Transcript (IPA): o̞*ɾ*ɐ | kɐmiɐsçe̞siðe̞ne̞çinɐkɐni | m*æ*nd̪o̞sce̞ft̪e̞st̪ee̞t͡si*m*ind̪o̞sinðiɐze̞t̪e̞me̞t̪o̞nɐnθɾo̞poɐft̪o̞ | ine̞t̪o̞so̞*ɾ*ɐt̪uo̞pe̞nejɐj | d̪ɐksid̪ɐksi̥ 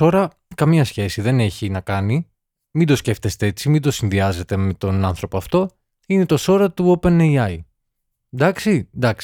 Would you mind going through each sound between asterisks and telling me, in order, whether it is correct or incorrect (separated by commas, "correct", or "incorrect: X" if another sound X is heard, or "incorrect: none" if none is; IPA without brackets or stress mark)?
correct, incorrect: i, correct, correct